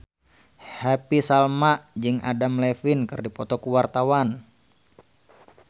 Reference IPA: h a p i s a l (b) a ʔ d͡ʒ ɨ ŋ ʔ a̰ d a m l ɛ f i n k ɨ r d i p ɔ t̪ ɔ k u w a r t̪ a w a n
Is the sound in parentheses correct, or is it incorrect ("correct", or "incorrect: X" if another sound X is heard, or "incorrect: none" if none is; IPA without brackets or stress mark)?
incorrect: m